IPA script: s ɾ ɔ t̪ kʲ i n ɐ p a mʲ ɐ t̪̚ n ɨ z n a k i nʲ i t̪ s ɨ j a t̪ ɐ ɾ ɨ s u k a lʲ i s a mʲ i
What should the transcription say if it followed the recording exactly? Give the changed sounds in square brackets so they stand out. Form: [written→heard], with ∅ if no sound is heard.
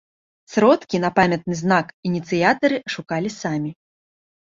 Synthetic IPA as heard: s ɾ ɔ t̪ kʲ i n ɐ p a mʲ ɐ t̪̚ n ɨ z n a k i nʲ i t̪ s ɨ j a t̪ ɐ ɾ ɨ [s→ʂ] u k a lʲ i s a mʲ i